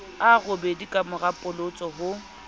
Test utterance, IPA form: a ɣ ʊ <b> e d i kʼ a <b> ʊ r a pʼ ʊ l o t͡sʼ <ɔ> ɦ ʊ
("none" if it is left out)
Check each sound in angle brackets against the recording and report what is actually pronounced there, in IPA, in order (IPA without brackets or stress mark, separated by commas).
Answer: b, m, ɔ